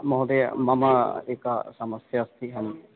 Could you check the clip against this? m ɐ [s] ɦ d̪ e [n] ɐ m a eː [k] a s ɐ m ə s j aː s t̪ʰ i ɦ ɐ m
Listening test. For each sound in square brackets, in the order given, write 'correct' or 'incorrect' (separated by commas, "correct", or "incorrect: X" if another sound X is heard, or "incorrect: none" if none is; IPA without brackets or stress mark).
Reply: incorrect: none, incorrect: m, correct